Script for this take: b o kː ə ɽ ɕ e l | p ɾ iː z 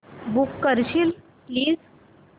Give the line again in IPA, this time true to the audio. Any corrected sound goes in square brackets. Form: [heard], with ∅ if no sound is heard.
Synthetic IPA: b [u] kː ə [ɾ] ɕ [i] l | p [l] iː z